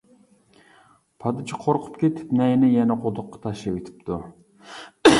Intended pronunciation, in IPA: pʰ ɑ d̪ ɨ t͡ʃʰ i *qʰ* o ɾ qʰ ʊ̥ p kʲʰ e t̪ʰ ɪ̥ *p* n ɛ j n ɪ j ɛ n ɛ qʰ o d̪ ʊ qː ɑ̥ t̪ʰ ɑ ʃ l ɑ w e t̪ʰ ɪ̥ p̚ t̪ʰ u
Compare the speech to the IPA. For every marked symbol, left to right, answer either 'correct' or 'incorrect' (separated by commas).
correct, correct